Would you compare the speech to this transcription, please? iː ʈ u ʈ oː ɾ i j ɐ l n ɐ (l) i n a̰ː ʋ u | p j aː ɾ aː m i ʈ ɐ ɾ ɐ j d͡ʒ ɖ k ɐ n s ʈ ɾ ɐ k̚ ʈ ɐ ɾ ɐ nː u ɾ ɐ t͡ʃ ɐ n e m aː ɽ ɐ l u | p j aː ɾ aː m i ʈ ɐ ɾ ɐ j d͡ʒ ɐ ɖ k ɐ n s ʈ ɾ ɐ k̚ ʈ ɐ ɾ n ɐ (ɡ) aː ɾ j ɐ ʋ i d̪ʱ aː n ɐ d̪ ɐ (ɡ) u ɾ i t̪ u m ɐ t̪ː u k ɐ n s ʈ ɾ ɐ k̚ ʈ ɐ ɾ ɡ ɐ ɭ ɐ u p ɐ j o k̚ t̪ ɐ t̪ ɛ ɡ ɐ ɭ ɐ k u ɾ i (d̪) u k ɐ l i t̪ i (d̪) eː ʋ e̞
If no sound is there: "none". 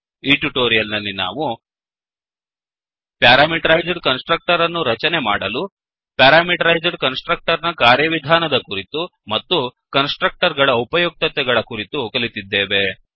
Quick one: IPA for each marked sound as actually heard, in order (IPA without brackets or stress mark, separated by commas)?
lː, k, k, t̪, d̪ː